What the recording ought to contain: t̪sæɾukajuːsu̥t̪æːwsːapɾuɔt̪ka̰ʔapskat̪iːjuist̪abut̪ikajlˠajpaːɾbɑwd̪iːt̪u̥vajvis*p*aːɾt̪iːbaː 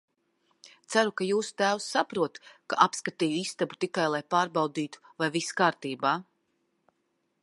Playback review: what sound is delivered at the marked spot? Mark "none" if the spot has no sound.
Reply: k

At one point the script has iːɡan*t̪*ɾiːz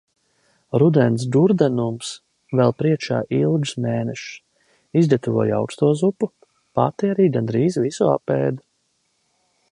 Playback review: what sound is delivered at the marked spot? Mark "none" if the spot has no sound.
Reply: d̪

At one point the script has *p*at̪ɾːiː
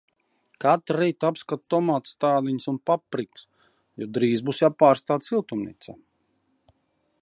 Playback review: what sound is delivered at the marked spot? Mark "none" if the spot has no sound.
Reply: k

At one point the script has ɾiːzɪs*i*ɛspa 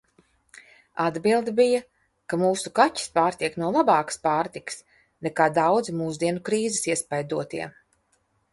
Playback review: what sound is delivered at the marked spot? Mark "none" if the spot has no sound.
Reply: i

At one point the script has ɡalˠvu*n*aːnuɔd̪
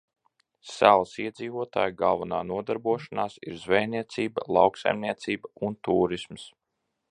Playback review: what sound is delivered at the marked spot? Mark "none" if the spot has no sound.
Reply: n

